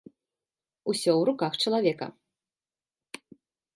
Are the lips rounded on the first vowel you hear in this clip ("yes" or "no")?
yes